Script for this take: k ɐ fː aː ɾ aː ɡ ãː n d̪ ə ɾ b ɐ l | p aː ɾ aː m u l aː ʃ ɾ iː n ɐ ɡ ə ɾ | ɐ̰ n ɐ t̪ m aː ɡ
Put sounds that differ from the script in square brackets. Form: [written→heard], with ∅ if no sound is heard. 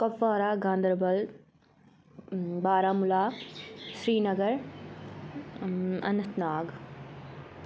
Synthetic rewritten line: k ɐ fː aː ɾ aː ɡ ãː n d̪ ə ɾ b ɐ l | [p→b] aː ɾ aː m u l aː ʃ ɾ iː n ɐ ɡ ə ɾ | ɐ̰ n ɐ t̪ [m→n] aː ɡ